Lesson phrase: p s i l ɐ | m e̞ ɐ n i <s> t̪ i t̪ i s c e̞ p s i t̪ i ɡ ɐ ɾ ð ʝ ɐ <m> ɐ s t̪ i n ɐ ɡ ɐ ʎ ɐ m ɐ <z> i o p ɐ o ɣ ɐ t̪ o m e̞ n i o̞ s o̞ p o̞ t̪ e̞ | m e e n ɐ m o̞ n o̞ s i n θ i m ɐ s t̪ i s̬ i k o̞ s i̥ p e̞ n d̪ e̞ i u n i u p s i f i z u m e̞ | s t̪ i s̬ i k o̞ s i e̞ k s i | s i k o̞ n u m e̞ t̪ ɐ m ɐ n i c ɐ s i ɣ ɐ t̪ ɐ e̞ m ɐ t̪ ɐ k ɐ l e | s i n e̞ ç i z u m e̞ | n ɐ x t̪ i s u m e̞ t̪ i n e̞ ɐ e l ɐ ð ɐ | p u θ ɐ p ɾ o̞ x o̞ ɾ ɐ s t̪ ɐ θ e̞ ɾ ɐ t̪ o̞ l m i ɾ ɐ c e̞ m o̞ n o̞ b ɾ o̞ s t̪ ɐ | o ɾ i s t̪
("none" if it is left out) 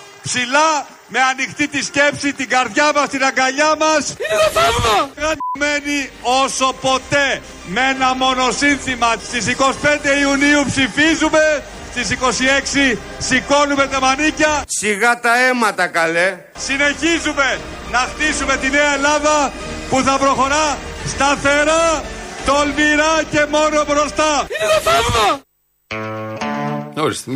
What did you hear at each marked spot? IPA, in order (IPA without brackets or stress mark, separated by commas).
x, m, s